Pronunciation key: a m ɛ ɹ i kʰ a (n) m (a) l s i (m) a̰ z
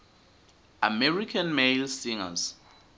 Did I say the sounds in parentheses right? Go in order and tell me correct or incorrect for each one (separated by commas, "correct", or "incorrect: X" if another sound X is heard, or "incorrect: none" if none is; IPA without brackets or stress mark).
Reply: correct, incorrect: e, incorrect: ŋ